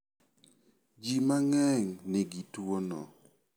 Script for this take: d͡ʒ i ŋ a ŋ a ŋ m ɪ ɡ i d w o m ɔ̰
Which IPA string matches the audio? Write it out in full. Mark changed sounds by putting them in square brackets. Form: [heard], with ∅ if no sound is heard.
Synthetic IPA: d͡ʒ i [m] a ŋ [ɛ] ŋ [n] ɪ ɡ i [t] w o [n] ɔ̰